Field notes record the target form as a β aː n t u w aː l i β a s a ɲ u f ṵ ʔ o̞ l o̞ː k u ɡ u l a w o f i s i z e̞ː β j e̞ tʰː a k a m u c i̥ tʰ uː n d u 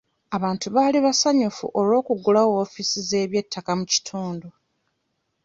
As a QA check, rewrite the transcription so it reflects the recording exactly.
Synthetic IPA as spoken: a β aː n t u β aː l i β a s a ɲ u f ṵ ʔ o̞ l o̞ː k u ɡ u l a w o f i s i z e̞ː β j e̞ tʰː a k a m u c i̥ tʰ uː n d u